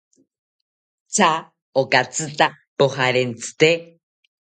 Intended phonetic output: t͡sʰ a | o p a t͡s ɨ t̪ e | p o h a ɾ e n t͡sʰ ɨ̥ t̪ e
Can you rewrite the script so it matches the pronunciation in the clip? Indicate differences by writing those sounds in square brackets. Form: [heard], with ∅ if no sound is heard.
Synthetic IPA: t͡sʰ a | o [k] a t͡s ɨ t̪ [a] | p o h a ɾ e n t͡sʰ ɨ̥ t̪ e